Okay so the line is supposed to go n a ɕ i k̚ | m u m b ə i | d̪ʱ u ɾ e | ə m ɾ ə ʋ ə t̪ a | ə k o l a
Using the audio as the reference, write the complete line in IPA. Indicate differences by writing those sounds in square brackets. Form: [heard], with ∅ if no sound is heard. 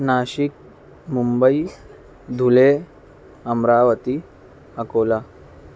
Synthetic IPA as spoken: n a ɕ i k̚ | m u m b ə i | d̪ʱ u [l] e | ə m ɾ [a] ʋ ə t̪ [i] | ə k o l a